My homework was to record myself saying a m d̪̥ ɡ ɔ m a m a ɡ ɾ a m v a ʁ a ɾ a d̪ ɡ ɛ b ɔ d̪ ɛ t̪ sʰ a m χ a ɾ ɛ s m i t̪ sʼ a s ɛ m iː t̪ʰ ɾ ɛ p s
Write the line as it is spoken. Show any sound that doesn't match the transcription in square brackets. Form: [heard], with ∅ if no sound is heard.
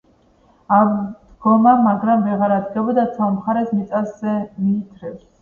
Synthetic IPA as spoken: a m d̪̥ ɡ ɔ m a m a ɡ ɾ a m v [ɛ] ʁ a ɾ a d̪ ɡ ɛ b ɔ d̪ [a] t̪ sʰ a m χ a ɾ ɛ s m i t̪ sʼ a s ɛ m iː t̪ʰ ɾ ɛ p s